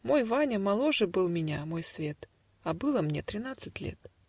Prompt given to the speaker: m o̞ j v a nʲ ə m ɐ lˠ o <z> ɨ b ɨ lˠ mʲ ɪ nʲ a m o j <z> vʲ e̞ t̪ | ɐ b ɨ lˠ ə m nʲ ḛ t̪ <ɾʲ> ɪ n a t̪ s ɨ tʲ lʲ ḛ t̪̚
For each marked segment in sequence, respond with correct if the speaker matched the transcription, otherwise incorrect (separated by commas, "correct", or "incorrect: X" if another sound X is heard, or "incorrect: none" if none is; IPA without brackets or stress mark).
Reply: incorrect: ʐ, incorrect: s, correct